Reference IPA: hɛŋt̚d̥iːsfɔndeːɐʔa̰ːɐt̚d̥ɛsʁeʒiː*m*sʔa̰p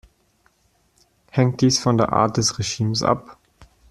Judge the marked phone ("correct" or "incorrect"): correct